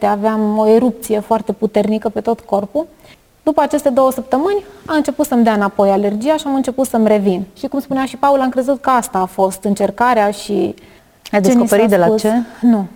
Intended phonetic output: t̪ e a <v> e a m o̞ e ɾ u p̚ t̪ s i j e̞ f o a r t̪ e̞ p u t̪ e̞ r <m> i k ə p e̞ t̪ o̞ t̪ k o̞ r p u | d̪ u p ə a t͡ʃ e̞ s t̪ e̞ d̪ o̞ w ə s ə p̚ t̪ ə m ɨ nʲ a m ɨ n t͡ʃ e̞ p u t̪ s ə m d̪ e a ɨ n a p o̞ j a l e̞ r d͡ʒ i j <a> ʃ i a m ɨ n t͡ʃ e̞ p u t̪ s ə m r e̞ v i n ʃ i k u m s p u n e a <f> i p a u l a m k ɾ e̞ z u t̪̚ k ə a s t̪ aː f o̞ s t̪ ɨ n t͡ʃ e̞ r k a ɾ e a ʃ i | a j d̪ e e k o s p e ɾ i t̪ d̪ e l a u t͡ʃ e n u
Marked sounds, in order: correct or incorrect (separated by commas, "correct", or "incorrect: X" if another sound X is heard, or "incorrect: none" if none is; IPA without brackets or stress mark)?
correct, incorrect: n, correct, incorrect: ʃ